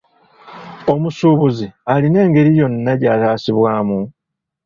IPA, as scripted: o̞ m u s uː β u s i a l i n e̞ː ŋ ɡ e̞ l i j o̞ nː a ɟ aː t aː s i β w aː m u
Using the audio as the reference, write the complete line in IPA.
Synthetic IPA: o̞ m u s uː β u z i a l i n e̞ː ŋ ɡ e̞ ɾ i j o̞ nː a ɟ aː t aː s i β w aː m u